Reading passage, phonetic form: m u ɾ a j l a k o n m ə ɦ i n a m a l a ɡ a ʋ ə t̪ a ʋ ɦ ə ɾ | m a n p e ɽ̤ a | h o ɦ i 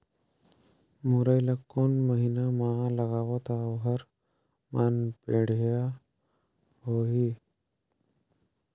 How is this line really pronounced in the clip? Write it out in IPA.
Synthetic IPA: m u ɾ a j l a k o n m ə ɦ i n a m a l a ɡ a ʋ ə t̪ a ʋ ɦ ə ɾ | m a n p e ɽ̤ a | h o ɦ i